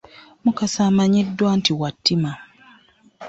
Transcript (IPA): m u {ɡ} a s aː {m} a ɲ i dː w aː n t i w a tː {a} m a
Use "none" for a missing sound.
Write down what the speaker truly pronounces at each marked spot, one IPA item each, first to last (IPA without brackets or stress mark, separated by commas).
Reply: k, m, i